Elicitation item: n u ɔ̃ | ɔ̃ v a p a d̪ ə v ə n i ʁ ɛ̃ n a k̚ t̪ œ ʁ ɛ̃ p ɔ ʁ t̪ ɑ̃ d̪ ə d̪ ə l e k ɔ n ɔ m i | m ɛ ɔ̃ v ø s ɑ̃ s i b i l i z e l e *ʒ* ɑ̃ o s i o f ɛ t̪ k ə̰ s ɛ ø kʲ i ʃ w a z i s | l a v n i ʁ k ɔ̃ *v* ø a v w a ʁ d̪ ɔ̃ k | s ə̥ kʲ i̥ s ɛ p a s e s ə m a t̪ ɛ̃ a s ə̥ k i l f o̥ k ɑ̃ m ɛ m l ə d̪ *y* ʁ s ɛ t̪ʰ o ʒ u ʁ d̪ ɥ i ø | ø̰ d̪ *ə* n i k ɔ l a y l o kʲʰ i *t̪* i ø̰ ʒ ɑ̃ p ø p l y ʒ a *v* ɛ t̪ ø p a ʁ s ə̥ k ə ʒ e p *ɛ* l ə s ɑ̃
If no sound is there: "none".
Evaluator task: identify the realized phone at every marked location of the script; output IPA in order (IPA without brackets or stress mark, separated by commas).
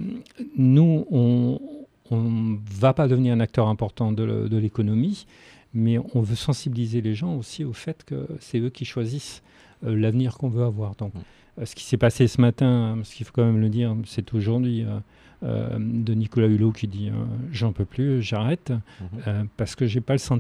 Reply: ʒ, v, i, ə, d̪, ʁ, a